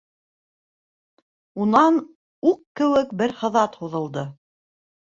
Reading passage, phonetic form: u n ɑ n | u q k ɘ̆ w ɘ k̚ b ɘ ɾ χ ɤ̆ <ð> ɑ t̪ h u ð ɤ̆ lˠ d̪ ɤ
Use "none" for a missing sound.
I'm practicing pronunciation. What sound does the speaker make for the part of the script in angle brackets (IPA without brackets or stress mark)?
ð